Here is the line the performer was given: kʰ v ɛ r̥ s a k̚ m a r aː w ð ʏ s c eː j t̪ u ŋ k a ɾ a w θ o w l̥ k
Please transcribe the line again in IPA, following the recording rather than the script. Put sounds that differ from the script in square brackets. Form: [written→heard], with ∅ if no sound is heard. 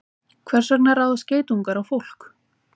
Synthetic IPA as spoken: kʰ v ɛ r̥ s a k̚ [m→n] a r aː w ð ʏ s c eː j t̪ u ŋ k a ɾ a w [θ→f] o w l̥ k